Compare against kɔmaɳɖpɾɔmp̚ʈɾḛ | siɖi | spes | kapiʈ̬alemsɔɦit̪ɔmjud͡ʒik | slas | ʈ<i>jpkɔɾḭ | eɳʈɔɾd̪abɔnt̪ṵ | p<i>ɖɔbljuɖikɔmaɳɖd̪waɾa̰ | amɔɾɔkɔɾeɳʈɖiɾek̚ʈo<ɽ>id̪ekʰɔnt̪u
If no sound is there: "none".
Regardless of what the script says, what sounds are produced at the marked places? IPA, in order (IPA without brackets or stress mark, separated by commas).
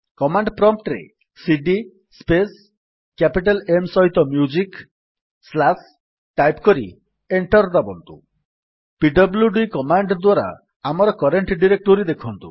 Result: a, i, ɾ